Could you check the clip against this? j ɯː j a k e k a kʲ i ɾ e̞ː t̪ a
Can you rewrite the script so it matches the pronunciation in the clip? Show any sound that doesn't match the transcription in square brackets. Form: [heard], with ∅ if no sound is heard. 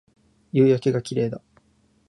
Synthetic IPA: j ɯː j a k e [ɡ] a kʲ i ɾ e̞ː [d̪] a